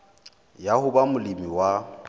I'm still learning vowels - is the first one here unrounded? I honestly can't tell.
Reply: yes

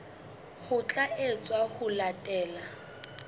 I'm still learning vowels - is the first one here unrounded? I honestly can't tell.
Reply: no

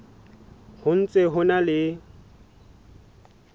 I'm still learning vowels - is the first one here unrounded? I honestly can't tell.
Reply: no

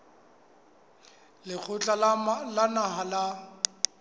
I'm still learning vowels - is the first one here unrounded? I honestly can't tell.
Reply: yes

